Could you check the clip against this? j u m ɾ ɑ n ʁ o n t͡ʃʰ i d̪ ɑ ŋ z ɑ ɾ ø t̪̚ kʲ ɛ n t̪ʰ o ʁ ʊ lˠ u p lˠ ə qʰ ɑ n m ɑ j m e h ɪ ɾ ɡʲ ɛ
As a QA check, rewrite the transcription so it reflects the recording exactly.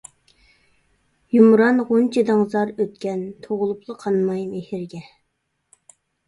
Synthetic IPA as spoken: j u m ɾ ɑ n ʁ o n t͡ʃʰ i d̪ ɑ ŋ z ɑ ɾ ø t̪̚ kʲ ɛ n t̪ʰ o ʁ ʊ lˠ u p lˠ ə qʰ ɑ n m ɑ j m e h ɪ ɾ ɡʲ ɛ